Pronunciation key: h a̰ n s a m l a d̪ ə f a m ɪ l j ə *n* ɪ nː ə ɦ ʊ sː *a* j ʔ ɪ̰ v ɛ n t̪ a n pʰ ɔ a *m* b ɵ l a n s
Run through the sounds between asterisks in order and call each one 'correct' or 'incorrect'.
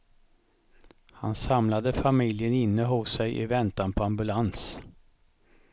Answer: correct, incorrect, correct

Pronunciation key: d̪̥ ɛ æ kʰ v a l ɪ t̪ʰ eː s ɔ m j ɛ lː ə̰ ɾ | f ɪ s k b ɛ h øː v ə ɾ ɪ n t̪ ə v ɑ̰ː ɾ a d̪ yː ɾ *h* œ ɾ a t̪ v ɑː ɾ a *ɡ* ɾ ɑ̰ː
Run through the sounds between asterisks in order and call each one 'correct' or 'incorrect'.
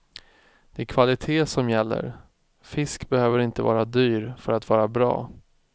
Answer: incorrect, incorrect

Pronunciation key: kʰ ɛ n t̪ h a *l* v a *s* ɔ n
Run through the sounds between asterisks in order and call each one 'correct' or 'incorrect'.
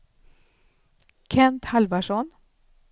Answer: correct, incorrect

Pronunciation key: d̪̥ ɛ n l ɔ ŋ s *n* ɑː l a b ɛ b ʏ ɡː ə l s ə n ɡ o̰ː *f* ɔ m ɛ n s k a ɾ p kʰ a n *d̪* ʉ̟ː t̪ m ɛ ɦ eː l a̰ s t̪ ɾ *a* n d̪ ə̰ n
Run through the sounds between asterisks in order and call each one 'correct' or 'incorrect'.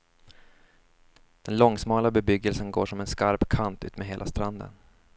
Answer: incorrect, incorrect, incorrect, correct

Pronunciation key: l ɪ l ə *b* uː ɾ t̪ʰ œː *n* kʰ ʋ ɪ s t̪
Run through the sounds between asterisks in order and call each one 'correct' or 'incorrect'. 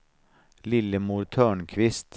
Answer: incorrect, incorrect

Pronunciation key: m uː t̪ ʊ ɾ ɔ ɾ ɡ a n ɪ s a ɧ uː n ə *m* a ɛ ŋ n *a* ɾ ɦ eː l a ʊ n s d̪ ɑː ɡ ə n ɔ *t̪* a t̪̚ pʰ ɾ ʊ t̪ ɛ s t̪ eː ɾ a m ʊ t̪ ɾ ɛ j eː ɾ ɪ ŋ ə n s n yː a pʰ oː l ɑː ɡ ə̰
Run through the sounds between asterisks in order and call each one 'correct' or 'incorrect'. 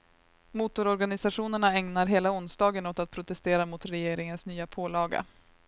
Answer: incorrect, correct, correct

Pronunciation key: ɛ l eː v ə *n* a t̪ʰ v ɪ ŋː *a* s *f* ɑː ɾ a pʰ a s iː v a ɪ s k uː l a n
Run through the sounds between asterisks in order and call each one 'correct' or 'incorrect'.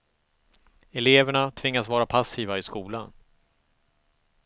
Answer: incorrect, correct, incorrect

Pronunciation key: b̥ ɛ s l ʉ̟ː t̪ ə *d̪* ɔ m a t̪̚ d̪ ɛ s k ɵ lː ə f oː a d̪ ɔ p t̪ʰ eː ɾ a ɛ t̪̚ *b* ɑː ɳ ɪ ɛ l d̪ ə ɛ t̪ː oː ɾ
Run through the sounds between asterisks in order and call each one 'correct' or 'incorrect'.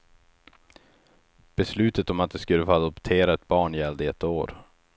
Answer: incorrect, correct

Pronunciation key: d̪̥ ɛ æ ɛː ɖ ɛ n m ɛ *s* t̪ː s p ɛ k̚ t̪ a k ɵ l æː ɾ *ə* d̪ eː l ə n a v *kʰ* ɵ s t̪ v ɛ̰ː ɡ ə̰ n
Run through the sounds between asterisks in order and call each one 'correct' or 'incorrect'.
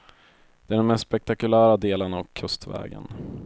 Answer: correct, incorrect, correct

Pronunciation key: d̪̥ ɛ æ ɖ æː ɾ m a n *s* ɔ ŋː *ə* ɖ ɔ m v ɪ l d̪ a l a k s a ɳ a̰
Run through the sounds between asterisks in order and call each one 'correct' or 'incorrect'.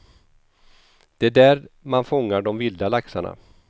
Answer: incorrect, incorrect

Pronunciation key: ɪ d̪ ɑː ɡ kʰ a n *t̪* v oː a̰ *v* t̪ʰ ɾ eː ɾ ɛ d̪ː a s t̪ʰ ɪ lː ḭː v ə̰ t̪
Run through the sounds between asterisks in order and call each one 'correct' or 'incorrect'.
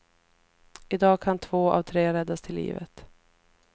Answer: incorrect, correct

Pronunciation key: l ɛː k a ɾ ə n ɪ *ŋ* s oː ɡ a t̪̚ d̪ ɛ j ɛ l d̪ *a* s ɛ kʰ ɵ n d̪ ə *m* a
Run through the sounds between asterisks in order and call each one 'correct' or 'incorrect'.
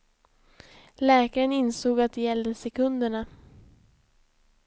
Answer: incorrect, incorrect, incorrect

